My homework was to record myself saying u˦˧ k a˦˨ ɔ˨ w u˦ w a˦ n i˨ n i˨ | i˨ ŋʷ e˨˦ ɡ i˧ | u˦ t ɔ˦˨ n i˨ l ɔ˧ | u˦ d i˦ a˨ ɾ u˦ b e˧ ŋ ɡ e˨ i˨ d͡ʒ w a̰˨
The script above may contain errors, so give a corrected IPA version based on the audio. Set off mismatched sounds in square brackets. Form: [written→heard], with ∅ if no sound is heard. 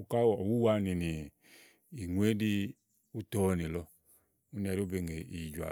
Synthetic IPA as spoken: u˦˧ k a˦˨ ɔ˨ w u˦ w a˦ n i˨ n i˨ | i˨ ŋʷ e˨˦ [ɡ→d] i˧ | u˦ t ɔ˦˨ n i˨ l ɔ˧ | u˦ [d→n] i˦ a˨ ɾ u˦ b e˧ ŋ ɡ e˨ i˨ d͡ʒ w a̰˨